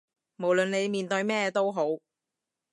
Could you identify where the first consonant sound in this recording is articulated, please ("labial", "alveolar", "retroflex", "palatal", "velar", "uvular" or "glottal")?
labial